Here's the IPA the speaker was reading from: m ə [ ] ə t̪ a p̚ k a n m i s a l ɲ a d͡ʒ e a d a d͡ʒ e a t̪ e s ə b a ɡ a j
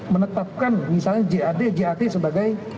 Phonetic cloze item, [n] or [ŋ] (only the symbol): n